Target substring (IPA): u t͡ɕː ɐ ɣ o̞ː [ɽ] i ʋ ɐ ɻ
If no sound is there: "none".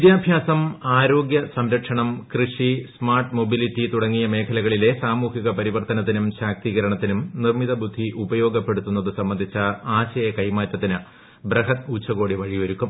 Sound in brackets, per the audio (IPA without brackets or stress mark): ɽ